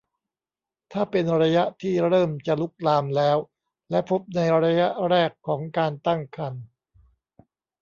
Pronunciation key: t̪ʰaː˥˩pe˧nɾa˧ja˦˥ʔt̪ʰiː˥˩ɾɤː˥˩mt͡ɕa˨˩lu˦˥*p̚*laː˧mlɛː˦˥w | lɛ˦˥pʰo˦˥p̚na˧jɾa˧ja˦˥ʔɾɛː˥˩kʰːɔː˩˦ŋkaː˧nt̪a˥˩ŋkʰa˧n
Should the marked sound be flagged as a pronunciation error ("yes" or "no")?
yes